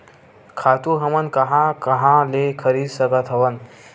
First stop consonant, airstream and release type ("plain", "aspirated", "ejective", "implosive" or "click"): aspirated